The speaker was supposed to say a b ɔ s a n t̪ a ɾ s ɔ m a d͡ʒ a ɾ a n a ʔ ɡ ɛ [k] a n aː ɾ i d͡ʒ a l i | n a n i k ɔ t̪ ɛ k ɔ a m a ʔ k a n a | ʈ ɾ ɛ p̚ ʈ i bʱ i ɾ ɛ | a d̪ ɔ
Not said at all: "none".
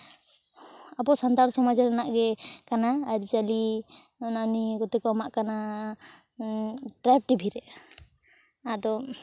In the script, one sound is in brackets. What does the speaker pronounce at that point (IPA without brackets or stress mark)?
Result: k